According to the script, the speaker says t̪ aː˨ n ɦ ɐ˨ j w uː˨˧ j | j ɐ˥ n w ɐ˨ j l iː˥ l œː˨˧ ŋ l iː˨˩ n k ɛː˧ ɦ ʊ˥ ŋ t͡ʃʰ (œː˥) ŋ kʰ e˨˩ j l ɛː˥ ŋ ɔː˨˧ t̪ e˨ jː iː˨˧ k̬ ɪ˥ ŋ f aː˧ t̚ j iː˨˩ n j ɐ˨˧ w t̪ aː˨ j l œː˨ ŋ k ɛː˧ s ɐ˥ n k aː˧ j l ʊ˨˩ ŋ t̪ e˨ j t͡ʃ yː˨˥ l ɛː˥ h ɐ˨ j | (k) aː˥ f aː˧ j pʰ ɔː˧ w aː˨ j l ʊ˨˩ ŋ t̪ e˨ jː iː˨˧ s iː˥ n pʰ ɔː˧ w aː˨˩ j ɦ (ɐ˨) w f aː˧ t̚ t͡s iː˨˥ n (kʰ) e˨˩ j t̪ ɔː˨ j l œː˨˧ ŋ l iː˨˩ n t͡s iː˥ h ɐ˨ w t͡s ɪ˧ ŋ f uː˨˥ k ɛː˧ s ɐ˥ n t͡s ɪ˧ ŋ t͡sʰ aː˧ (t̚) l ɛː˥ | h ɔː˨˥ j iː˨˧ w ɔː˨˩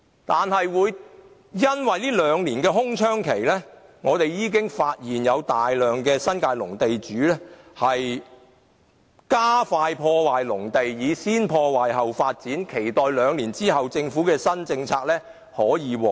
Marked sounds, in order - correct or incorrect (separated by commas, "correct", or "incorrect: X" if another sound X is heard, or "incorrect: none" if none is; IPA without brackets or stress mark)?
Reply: correct, correct, correct, correct, incorrect: k̚